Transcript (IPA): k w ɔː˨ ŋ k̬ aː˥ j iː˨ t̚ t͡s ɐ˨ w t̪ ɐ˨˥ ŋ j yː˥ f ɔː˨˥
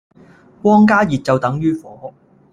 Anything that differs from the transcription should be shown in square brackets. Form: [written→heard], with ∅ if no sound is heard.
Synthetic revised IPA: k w [ɔː˨→ɔː˥] ŋ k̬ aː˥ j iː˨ t̚ t͡s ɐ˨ w t̪ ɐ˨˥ ŋ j yː˥ f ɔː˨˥